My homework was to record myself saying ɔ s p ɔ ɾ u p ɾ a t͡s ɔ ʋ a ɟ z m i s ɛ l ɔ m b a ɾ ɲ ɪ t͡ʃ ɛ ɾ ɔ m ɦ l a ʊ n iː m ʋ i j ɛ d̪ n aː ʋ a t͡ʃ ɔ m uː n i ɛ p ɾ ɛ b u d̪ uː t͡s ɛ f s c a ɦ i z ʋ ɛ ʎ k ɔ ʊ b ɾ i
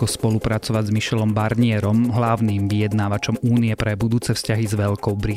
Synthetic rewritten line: ɔ s p ɔ l u p ɾ a t͡s ɔ ʋ a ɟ z m i ʃ ɛ l ɔ m b a ɾ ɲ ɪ ɛ ɾ ɔ m ɦ l a ʊ n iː m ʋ i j ɛ d̪ n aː ʋ a t͡ʃ ɔ m uː n i ɛ p ɾ ɛ b u d̪ uː t͡s ɛ f s c a ɦ i z ʋ ɛ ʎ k ɔ ʊ b ɾ i